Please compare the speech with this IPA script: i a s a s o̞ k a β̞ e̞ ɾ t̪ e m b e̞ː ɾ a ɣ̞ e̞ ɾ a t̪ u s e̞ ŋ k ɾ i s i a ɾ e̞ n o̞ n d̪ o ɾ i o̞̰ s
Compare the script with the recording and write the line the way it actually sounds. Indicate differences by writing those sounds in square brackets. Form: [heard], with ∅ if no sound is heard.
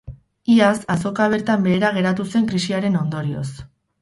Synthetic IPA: i a s a s o̞ k a β̞ e̞ ɾ t̪ [a] m b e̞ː ɾ a ɣ̞ e̞ ɾ a t̪ u s e̞ ŋ k ɾ i s i a ɾ e̞ n o̞ n d̪ o ɾ i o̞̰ s